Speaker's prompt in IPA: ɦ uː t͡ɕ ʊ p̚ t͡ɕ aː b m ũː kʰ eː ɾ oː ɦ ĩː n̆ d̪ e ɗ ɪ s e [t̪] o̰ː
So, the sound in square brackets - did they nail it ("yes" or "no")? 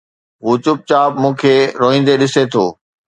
no